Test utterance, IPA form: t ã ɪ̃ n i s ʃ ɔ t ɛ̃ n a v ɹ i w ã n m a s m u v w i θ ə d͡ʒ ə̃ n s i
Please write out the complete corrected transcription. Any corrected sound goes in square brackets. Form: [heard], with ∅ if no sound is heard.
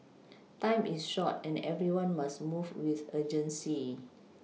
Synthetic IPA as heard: t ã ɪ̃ [m] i s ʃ ɔ t ɛ̃ n [ɛ] v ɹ i w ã n m a s m u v w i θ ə d͡ʒ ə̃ n s i